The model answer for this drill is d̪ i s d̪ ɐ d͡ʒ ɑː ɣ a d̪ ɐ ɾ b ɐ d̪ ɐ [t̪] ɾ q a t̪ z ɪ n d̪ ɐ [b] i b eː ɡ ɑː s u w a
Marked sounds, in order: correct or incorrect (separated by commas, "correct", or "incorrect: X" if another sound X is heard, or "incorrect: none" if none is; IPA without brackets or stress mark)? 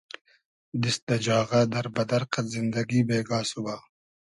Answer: incorrect: none, incorrect: ɡ